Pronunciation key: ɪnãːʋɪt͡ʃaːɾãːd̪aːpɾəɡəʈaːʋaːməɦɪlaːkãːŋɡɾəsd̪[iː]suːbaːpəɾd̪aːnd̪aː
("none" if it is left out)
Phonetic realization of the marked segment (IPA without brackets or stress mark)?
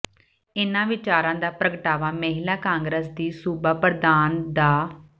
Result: iː